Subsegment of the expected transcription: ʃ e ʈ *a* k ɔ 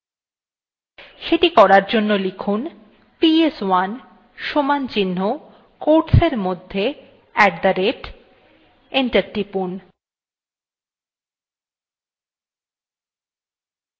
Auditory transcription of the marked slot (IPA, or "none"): i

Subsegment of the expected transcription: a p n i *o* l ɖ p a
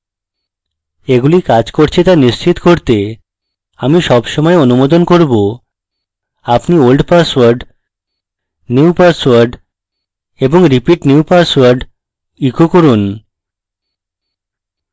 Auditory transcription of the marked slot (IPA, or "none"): o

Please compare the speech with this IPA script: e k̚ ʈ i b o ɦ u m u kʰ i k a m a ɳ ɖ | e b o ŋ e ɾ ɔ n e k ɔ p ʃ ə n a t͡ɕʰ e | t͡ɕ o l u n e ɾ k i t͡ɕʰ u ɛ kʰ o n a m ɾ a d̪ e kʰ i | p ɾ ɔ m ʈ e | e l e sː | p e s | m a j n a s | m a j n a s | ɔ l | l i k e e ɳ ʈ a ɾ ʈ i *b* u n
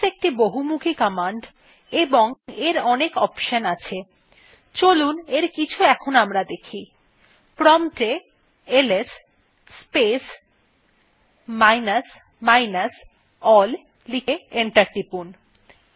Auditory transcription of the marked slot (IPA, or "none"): p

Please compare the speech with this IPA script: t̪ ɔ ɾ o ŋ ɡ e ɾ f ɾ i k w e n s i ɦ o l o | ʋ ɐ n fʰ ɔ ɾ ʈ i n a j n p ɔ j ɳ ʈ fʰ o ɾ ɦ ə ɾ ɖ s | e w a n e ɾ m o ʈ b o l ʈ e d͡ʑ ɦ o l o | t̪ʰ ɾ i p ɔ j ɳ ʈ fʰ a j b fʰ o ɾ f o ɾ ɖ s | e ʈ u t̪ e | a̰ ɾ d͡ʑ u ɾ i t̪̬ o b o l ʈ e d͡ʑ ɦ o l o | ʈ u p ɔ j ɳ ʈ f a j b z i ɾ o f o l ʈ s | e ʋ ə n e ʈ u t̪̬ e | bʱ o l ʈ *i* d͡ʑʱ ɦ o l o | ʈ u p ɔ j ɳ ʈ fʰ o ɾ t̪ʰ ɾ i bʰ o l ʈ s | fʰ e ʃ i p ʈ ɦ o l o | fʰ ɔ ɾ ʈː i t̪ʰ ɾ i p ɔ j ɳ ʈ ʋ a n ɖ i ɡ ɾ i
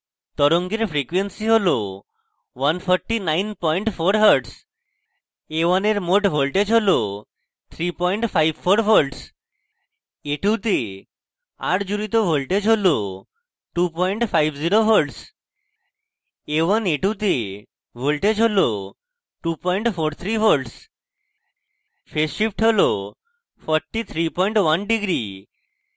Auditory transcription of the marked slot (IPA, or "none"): e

